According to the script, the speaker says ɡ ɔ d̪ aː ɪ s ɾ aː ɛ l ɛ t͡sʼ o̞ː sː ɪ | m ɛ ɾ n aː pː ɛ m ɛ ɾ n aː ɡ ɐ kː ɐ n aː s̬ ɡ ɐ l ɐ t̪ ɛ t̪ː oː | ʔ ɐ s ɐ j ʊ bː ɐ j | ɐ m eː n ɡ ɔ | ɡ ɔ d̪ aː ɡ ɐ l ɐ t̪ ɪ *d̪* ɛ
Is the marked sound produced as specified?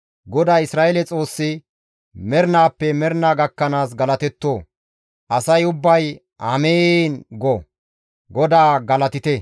no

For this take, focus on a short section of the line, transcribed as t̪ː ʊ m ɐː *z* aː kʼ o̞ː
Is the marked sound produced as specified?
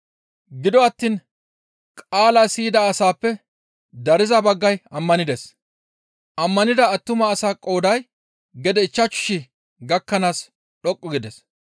no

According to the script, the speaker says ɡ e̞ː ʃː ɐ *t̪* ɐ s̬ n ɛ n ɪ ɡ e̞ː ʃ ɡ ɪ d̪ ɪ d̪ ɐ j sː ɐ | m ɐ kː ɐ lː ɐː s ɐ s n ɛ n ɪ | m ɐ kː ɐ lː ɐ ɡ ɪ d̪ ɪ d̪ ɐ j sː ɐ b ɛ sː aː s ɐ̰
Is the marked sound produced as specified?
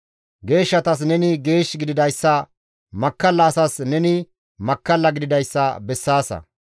yes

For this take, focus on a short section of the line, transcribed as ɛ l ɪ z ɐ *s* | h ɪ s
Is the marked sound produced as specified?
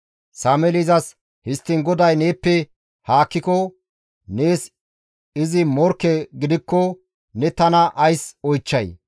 yes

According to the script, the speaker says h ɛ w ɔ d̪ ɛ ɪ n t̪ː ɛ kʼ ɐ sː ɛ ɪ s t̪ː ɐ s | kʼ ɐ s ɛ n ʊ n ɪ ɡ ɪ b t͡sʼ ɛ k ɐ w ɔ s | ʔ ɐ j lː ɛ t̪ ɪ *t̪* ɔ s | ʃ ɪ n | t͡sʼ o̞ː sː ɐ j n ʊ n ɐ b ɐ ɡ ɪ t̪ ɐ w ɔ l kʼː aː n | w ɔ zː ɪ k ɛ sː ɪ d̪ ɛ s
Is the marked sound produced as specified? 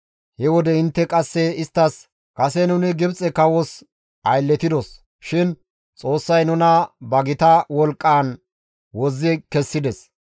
no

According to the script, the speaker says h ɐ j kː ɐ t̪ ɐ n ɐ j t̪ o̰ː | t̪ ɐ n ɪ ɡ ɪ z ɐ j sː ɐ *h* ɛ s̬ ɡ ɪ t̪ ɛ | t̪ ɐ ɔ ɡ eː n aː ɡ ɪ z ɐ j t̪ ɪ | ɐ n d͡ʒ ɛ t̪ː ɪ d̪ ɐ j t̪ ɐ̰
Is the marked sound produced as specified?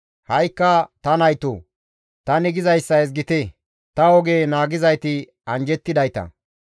no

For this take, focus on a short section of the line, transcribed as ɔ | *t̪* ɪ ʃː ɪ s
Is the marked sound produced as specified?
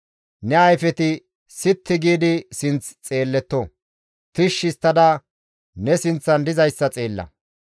yes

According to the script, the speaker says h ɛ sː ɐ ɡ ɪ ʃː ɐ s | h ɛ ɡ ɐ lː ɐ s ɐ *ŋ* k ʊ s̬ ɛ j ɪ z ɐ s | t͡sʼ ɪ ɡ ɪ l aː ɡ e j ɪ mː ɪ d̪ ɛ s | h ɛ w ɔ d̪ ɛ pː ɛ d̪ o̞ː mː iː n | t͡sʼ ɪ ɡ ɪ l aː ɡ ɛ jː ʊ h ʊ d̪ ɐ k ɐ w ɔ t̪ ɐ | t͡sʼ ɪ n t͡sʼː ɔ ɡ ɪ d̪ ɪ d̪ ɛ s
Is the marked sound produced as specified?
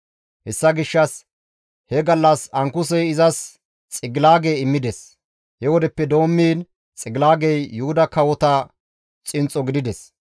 yes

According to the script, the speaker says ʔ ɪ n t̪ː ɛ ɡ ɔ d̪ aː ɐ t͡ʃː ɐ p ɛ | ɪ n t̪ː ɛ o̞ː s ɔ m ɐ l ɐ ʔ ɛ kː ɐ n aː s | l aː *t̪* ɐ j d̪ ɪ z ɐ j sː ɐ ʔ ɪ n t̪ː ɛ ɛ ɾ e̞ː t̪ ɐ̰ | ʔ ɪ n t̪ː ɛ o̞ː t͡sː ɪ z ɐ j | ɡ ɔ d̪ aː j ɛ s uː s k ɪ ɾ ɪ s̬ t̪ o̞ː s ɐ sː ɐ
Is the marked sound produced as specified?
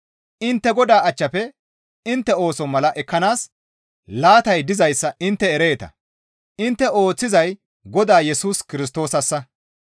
yes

